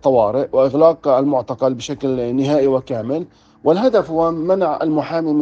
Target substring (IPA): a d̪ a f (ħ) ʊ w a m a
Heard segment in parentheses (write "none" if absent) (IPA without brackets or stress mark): h